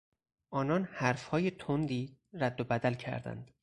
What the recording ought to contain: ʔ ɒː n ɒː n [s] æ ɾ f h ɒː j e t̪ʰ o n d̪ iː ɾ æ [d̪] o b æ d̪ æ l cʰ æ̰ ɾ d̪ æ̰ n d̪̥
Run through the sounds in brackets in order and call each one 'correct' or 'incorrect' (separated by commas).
incorrect, incorrect